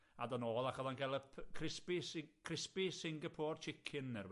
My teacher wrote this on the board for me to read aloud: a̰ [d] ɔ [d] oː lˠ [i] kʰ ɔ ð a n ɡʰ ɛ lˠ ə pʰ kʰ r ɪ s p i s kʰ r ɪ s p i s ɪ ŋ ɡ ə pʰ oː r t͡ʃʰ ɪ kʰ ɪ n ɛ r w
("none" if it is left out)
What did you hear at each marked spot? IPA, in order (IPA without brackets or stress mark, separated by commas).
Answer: d, n, a